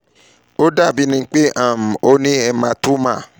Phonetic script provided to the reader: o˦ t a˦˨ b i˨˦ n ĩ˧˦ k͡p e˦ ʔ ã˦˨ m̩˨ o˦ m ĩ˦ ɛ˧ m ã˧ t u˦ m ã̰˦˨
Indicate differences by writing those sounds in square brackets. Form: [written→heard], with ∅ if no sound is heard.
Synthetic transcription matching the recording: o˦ [t→d] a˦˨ b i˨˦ n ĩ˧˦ k͡p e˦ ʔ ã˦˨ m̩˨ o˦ [m→n] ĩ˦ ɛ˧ m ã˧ t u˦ m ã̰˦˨